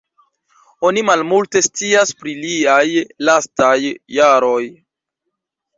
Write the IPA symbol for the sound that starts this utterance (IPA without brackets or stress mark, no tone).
o̞